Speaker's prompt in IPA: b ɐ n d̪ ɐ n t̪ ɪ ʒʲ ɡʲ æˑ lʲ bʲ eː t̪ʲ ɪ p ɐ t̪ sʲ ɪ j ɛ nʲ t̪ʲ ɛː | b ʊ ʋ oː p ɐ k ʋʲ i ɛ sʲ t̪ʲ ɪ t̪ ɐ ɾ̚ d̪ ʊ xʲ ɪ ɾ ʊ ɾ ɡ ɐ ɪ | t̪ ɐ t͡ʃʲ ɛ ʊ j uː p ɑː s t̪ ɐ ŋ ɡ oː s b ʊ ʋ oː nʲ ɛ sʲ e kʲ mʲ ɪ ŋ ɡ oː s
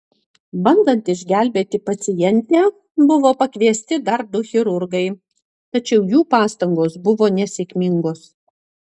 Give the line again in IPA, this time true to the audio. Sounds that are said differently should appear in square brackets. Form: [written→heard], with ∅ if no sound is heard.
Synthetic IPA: b ɐ n d̪ ɐ n t̪ ɪ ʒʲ ɡʲ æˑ lʲ bʲ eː t̪ʲ ɪ p ɐ t̪ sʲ ɪ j ɛ nʲ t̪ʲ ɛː | b ʊ ʋ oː p ɐ k ʋʲ i ɛ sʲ t̪ʲ ɪ [t̪→d̪] ɐ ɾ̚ d̪ ʊ xʲ ɪ ɾ ʊ ɾ ɡ ɐ ɪ | t̪ ɐ t͡ʃʲ ɛ ʊ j uː p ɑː s t̪ ɐ ŋ ɡ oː s b ʊ ʋ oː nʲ ɛ sʲ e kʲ mʲ ɪ ŋ ɡ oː s